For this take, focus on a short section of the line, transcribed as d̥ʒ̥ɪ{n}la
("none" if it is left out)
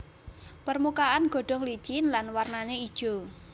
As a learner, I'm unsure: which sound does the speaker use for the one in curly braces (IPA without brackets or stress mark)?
n